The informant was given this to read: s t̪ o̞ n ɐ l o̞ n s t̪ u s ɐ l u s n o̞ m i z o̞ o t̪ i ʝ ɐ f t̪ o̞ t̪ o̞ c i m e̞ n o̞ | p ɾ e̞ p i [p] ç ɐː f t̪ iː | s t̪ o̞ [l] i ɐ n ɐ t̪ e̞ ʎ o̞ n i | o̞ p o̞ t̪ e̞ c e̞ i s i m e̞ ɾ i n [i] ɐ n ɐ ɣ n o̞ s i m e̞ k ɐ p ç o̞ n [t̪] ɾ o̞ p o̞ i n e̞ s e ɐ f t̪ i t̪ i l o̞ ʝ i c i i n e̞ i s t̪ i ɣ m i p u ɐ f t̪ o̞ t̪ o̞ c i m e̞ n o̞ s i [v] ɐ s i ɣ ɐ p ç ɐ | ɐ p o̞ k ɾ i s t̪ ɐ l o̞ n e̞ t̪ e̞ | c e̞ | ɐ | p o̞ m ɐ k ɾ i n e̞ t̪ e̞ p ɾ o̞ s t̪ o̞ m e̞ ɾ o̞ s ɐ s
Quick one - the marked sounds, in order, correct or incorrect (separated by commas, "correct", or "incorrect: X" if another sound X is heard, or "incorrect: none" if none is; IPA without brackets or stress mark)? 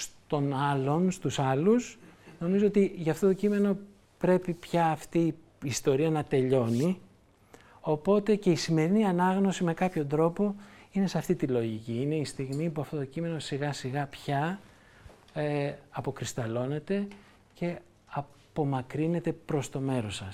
correct, incorrect: ɾ, correct, incorrect: d̪, incorrect: ɣ